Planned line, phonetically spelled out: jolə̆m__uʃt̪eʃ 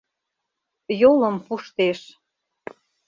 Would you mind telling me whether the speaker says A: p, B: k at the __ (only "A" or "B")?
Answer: A